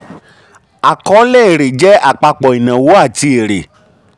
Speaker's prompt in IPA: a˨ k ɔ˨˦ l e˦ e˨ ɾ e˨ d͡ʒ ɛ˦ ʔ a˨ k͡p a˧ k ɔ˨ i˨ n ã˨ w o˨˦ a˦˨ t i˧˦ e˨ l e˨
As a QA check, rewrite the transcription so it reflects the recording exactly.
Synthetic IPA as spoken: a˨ k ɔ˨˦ l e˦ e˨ ɾ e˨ d͡ʒ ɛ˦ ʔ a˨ k͡p a˧ k͡p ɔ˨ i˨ n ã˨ w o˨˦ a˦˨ t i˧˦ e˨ ɾ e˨

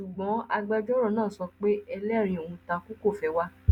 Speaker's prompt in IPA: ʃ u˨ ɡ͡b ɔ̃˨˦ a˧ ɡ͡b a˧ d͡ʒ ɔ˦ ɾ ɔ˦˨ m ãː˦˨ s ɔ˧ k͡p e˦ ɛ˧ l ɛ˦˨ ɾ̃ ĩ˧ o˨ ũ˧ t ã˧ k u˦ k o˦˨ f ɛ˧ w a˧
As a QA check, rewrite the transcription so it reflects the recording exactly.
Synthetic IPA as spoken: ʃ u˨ ɡ͡b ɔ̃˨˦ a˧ ɡ͡b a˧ d͡ʒ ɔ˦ ɾ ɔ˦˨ n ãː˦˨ s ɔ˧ k͡p e˦ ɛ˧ l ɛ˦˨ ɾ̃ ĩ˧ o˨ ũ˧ t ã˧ k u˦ k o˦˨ f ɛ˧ w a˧

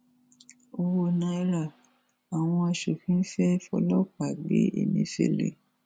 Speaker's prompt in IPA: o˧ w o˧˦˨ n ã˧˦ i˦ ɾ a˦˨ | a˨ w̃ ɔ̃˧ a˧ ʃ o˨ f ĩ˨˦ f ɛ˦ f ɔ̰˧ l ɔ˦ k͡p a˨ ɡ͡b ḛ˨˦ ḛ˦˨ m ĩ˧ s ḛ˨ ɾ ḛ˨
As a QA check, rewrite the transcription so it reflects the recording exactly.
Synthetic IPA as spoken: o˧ w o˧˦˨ n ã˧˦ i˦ ɾ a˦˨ | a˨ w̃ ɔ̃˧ a˧ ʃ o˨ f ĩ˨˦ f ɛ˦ f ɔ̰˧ l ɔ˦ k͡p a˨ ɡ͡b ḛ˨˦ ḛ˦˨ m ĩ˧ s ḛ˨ l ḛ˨

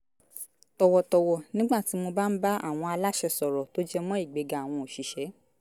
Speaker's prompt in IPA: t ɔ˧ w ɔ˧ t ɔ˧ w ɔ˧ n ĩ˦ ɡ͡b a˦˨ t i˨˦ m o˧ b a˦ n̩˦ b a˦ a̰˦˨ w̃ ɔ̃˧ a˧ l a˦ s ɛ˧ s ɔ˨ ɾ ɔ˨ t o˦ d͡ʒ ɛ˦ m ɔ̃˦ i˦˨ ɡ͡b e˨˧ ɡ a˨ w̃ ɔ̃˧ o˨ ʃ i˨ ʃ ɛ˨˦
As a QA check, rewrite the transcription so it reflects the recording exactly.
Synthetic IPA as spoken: t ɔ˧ w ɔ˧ t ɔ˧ w ɔ˧ n ĩ˦ ɡ͡b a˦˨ t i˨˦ m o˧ b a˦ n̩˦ b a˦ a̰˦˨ w̃ ɔ̃˧ a˧ l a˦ ʃ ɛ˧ s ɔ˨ ɾ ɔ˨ t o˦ d͡ʒ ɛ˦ m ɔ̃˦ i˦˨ ɡ͡b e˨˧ ɡ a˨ w̃ ɔ̃˧ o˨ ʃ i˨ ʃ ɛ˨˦

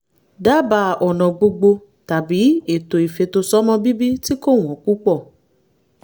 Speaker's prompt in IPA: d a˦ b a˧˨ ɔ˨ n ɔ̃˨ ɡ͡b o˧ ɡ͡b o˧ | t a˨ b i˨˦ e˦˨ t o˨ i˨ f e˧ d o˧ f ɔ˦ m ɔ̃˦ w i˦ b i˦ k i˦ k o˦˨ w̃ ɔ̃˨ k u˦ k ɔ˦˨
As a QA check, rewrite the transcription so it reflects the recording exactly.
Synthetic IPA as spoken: d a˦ b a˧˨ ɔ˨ n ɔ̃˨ ɡ͡b o˧ ɡ͡b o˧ | t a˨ b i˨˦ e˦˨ t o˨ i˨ f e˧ t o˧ s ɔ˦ m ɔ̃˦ b i˦ b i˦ t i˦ k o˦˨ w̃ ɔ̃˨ k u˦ k͡p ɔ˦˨

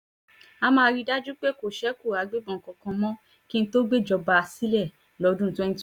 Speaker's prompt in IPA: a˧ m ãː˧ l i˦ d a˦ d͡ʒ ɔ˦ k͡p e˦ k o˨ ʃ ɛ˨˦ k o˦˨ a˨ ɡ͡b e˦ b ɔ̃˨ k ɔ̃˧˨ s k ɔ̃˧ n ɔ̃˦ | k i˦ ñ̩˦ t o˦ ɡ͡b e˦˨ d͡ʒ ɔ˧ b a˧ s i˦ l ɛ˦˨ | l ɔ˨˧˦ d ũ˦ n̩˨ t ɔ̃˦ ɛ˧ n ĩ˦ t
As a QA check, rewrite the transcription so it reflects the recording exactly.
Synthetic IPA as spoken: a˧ m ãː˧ ɾ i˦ d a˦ d͡ʒ u˦ k͡p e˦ k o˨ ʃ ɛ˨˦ k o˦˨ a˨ ɡ͡b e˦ b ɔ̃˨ k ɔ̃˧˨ k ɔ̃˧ m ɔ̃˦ | k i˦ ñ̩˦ t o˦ ɡ͡b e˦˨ d͡ʒ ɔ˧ b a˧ s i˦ l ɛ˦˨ | l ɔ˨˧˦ d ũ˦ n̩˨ t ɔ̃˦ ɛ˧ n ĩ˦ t

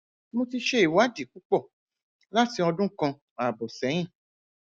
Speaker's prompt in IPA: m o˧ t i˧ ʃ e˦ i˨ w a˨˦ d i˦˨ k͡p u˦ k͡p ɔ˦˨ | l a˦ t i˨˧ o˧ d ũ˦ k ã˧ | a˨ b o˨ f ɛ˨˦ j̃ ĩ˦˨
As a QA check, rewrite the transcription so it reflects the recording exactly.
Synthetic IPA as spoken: m o˧ t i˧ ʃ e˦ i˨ w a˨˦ d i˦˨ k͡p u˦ k͡p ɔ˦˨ | l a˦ t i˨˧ ɔ˧ d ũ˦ k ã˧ | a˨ b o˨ s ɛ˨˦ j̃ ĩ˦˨

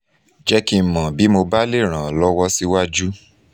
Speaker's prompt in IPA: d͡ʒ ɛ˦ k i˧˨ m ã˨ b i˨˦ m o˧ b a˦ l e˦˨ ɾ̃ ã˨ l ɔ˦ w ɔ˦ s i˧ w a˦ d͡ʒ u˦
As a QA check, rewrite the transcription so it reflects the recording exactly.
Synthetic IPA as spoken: d͡ʒ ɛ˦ k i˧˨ m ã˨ b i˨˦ m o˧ b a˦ l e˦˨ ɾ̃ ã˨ l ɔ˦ w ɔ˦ s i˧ w a˦ d͡ʒ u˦

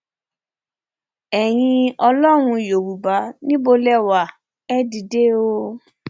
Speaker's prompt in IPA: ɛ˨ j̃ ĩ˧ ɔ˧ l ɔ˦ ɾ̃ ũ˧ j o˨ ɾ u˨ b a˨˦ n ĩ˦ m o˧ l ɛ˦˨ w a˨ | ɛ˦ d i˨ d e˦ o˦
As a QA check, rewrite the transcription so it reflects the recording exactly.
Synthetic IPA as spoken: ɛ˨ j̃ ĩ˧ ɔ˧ l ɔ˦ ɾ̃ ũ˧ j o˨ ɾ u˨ b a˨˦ n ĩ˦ b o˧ l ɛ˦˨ w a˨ | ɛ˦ d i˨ d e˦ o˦

